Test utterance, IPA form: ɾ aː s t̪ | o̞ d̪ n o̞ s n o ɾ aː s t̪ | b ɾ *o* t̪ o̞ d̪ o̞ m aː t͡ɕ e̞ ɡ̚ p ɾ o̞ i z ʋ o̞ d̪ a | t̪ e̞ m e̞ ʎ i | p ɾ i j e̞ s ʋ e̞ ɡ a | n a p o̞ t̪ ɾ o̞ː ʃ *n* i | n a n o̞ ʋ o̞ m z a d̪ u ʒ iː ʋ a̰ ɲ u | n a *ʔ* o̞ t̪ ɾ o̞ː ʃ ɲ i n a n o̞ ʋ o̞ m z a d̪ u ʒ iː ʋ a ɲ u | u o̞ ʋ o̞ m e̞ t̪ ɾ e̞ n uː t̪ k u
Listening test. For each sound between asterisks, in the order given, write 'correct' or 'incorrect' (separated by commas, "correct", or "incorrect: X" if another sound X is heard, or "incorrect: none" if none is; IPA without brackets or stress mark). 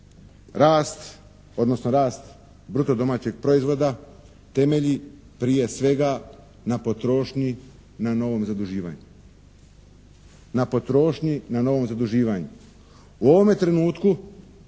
incorrect: u, incorrect: ɲ, incorrect: p